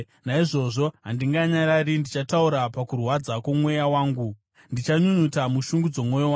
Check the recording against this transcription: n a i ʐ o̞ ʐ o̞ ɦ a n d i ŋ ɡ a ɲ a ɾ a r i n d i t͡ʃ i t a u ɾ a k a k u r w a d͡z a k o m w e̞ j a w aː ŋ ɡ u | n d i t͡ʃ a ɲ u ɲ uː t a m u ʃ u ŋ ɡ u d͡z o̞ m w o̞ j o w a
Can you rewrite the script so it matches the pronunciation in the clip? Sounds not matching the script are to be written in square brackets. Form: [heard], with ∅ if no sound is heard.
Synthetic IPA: n a i ʐ o̞ ʐ o̞ ɦ a n d i ŋ ɡ a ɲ a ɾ a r i n d i t͡ʃ [a] t a u ɾ a [p] a k u r w a d͡z a k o m w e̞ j a w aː ŋ ɡ u | n d i t͡ʃ a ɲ u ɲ [u] t a m u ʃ u ŋ ɡ u d͡z o̞ m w o̞ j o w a